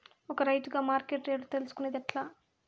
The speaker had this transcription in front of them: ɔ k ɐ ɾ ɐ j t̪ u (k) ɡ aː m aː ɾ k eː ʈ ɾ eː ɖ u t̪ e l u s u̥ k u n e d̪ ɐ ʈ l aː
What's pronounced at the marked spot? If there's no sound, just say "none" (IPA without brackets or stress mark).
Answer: none